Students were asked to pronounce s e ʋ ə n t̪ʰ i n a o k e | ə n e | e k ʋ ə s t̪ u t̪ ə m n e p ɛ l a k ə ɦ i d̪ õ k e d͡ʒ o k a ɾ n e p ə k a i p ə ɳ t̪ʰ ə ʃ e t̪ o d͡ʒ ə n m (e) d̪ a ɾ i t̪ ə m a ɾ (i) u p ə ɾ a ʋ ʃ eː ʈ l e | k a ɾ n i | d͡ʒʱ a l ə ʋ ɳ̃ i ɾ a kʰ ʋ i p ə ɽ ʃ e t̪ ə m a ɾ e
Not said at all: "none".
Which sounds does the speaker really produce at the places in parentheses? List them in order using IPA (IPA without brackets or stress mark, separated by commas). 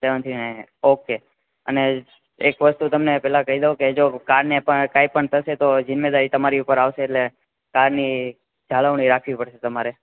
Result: e, i